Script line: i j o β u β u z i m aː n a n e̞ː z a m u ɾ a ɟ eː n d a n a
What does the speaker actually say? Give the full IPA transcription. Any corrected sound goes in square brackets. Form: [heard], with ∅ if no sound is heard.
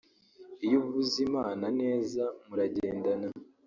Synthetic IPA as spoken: i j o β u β u z i m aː n a n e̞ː z a m u ɾ a ɟ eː n d a n a